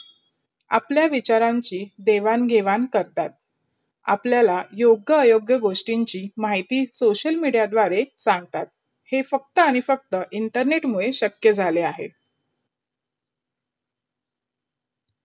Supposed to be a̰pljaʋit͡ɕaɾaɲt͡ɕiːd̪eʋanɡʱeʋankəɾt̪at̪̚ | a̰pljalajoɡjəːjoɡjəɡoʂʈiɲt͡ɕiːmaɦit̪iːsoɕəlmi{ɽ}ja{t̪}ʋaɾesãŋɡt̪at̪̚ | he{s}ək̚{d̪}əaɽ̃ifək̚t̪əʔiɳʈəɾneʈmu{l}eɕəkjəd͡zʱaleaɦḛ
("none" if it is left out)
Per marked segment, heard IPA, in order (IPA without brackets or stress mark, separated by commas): ɽ, d̪, f, t̪, ɭ